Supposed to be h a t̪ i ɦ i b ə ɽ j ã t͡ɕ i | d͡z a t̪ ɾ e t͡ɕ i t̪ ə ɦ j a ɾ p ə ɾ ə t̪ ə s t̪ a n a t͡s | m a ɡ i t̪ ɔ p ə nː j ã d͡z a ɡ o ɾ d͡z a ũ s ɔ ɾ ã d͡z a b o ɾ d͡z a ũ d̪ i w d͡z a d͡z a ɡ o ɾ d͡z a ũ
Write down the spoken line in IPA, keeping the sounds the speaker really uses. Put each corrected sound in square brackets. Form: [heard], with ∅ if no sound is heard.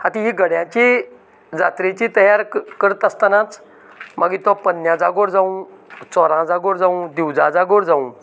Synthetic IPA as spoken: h a t̪ i ɦ i [ɡ] ə ɽ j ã t͡ɕ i | d͡z a t̪ ɾ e t͡ɕ i t̪ ə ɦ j a ɾ [k] ə ɾ ə t̪ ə s t̪ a n a t͡s | m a ɡ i t̪ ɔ p ə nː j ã d͡z a ɡ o ɾ d͡z a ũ [t͡s] ɔ ɾ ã d͡z a [ɡ] o ɾ d͡z a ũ d̪ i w d͡z a d͡z a ɡ o ɾ d͡z a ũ

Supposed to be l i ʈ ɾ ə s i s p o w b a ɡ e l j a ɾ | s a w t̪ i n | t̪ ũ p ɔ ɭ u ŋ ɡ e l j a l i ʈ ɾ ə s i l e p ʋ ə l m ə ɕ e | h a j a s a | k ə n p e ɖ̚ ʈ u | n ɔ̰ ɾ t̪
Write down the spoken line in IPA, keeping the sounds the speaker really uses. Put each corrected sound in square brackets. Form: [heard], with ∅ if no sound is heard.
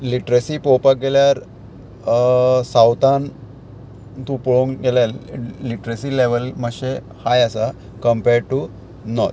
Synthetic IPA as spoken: l i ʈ ɾ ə s i [∅] p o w [p] a ɡ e l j a ɾ | s a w t̪ [a] n | t̪ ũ p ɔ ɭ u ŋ ɡ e l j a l i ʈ ɾ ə s i l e [∅] ʋ ə l m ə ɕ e | h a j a s a | k ə [m] p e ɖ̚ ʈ u | n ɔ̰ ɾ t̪

